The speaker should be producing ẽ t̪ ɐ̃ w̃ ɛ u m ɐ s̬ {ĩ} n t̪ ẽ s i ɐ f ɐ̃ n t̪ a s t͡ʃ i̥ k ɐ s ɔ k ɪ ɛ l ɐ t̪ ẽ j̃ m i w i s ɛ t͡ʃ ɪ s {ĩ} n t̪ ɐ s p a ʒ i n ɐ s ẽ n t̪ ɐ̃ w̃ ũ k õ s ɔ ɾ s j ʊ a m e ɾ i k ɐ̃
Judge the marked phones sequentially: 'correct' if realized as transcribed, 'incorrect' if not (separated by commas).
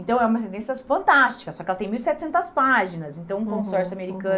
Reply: incorrect, incorrect